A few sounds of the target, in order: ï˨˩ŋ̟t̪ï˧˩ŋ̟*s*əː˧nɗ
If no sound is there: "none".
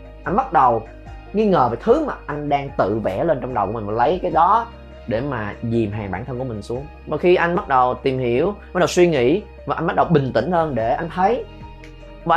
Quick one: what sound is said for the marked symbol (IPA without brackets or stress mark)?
h